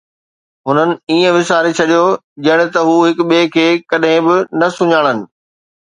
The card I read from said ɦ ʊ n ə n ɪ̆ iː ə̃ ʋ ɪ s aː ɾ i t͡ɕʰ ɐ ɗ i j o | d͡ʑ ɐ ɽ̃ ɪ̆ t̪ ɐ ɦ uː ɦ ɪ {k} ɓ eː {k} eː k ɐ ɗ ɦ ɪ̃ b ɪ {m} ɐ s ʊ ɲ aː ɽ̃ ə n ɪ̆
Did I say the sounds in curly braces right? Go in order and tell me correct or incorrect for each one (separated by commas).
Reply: correct, incorrect, incorrect